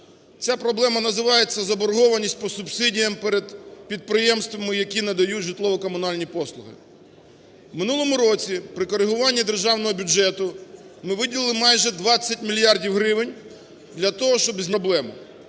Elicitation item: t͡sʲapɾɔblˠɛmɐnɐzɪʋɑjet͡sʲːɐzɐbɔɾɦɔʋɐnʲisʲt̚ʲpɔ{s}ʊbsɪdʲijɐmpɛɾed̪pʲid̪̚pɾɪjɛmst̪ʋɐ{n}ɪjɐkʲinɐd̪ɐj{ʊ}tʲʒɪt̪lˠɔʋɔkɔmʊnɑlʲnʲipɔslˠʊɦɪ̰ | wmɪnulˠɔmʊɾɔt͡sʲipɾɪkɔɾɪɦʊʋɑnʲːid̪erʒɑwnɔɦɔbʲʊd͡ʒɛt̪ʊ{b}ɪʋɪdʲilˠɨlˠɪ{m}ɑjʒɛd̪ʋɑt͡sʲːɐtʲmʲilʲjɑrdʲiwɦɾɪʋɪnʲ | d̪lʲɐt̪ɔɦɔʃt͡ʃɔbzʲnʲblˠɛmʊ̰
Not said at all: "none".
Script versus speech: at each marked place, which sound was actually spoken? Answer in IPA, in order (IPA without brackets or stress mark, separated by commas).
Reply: s, m, u, m, m